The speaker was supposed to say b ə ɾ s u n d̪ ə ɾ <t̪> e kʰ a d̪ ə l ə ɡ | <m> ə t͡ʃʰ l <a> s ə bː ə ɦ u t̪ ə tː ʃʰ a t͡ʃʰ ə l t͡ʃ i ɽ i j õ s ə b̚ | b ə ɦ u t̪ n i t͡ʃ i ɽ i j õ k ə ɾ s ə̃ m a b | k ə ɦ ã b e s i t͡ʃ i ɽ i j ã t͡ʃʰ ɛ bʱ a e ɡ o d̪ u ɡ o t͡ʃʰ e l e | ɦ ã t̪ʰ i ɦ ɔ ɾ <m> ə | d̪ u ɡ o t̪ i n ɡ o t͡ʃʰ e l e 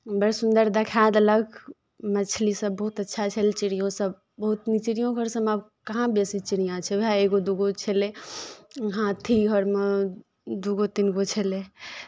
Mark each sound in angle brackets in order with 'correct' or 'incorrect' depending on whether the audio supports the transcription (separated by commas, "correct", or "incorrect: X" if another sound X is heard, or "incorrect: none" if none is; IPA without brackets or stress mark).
incorrect: d̪, correct, incorrect: i, correct